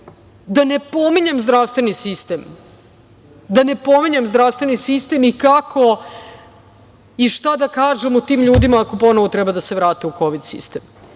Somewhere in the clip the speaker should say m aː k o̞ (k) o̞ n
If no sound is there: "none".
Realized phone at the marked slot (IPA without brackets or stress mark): p